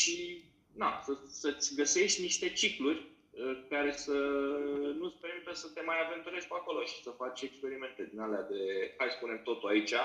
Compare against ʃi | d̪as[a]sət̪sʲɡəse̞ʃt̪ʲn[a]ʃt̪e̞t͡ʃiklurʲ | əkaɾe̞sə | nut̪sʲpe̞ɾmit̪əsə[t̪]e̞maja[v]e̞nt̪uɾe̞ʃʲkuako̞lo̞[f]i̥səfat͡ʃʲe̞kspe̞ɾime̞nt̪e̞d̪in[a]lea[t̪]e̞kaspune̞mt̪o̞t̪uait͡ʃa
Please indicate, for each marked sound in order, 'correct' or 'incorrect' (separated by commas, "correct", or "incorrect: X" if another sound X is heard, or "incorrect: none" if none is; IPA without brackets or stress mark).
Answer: incorrect: ə, incorrect: i, correct, correct, incorrect: ʃ, correct, incorrect: d̪